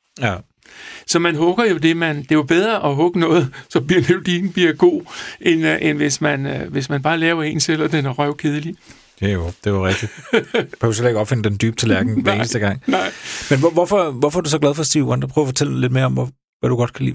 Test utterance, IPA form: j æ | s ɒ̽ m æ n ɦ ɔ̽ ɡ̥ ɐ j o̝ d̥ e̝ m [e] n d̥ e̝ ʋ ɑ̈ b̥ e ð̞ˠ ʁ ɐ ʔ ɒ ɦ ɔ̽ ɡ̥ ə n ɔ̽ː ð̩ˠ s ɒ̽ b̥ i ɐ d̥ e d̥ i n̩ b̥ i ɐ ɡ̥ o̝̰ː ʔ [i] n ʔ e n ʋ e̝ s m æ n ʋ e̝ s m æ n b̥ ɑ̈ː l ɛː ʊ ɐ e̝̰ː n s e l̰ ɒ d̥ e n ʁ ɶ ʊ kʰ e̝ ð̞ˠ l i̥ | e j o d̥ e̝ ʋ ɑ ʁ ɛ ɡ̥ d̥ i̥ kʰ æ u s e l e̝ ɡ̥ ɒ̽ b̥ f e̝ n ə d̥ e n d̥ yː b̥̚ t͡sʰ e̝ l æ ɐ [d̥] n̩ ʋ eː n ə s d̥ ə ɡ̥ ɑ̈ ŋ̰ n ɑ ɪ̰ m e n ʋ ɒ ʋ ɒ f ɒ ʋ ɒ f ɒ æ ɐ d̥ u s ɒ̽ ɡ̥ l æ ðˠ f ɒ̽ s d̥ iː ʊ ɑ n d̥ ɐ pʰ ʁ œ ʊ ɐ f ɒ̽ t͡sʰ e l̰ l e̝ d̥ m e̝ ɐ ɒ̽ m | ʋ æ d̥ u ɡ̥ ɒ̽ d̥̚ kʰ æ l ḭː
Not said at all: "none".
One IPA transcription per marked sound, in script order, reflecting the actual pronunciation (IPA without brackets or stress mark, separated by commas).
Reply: æ, e, ɡ̥